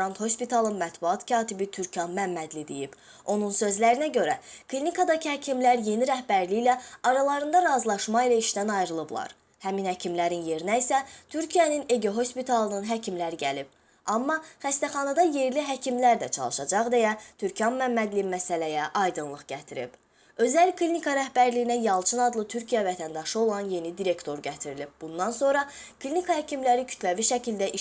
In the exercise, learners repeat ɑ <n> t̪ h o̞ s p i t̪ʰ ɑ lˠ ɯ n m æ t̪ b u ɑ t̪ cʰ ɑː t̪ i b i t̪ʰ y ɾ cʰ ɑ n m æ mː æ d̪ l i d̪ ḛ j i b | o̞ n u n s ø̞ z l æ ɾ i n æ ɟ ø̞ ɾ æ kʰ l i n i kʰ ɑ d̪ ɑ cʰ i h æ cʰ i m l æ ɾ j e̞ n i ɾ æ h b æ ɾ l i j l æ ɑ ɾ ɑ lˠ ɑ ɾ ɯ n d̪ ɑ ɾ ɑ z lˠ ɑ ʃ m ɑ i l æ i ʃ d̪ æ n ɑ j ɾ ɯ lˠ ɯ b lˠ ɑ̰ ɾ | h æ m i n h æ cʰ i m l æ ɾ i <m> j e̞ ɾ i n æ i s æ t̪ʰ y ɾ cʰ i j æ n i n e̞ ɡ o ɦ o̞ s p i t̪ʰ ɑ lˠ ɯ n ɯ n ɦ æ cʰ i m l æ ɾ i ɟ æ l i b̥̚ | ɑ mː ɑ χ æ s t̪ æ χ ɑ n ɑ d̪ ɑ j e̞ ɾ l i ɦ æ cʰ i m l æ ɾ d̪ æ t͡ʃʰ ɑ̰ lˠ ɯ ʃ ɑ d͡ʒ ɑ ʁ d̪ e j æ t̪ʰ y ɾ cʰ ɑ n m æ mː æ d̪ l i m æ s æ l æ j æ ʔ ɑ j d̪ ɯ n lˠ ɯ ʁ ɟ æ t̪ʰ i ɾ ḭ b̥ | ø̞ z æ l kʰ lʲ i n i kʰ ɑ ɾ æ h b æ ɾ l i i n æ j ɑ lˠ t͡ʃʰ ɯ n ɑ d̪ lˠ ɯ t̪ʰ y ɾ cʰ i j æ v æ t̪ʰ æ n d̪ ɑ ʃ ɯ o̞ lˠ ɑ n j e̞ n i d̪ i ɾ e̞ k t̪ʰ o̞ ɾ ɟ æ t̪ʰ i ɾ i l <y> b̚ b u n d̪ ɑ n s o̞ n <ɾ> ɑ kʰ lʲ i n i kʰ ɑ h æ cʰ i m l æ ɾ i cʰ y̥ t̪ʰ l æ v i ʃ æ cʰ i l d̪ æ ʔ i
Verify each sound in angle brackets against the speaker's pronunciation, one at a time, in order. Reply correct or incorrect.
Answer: correct, incorrect: n, incorrect: i, correct

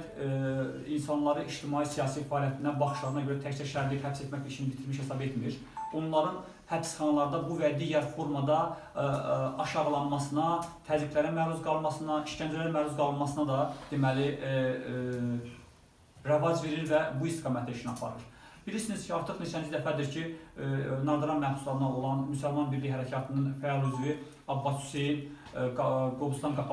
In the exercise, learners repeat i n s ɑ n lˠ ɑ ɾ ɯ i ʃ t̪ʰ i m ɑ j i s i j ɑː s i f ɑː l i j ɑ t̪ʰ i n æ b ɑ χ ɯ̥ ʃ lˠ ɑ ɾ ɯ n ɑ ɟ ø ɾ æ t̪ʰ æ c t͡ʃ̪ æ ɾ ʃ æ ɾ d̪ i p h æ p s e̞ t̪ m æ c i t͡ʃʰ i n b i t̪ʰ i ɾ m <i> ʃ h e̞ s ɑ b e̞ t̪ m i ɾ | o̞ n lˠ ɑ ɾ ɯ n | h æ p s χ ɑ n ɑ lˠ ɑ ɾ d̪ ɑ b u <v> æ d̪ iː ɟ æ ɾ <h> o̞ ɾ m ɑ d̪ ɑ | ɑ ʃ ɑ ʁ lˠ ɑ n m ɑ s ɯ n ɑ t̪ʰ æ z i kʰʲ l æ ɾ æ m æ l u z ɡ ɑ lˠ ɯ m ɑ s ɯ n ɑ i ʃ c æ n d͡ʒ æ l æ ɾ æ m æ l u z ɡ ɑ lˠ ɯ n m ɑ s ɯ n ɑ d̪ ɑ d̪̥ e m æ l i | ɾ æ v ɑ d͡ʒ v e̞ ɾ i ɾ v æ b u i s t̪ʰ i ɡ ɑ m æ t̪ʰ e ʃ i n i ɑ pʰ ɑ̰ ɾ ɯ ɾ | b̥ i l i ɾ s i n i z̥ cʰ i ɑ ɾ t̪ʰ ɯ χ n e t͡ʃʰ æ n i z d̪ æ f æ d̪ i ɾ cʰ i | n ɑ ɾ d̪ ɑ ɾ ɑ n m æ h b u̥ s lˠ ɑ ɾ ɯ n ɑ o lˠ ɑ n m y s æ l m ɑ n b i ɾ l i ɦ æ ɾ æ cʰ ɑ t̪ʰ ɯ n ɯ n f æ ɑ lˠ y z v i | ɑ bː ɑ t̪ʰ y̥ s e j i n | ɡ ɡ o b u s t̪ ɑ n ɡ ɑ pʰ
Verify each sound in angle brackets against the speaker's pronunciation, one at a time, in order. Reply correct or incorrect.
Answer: correct, correct, incorrect: f

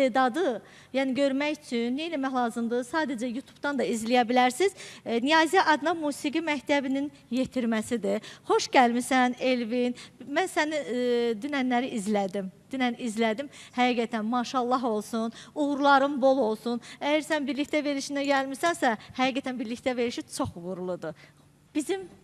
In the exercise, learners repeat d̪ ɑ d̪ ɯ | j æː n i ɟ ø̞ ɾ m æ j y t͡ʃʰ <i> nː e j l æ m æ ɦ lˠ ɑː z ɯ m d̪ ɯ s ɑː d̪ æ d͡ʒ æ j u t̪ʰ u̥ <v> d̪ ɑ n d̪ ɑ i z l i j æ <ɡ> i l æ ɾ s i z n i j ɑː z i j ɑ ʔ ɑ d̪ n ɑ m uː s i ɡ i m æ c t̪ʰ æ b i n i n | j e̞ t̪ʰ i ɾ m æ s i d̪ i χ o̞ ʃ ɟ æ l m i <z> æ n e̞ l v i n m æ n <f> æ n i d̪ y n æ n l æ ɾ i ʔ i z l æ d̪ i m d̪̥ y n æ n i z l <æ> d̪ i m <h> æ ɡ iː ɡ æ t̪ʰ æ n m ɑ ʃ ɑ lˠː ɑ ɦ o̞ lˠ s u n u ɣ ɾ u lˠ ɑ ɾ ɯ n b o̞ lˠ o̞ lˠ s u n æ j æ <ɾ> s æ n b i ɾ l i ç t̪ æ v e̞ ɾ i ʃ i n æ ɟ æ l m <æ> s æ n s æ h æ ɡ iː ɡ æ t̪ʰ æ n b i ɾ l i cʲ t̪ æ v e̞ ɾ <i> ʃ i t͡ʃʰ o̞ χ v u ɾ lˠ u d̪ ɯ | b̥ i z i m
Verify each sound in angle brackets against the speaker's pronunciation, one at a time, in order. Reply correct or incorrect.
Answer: incorrect: y, incorrect: b, incorrect: b, incorrect: s, incorrect: s, correct, correct, correct, incorrect: i, correct

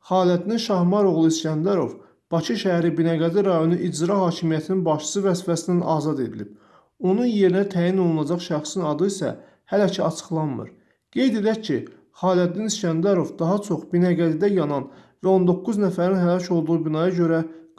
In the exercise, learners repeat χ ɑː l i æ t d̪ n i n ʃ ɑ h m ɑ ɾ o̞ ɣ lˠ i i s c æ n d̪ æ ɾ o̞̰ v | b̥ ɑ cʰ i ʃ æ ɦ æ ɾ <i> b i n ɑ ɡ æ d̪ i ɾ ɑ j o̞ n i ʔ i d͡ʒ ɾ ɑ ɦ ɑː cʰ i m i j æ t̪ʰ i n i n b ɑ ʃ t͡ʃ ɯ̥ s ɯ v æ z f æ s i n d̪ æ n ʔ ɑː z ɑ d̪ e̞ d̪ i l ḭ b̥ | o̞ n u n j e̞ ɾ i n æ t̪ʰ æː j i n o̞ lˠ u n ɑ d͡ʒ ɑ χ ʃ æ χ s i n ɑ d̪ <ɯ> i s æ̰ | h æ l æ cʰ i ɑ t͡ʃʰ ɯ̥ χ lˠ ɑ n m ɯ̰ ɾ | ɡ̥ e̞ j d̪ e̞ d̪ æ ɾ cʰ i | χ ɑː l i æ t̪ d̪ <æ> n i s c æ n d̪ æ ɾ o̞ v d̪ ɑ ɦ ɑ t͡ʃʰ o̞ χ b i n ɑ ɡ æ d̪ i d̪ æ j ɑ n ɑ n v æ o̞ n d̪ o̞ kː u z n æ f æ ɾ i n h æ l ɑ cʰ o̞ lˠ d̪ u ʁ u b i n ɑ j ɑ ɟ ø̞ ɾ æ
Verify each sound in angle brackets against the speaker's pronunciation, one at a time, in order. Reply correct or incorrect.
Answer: correct, correct, incorrect: i

